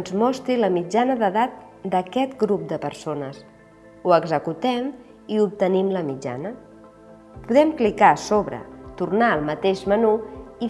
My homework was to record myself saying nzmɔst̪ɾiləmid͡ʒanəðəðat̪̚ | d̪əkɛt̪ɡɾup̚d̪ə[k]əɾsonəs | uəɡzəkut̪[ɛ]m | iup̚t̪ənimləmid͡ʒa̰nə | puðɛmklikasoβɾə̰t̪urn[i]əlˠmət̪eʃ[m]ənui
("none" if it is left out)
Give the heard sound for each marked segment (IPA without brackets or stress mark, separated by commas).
p, ɛ, a, m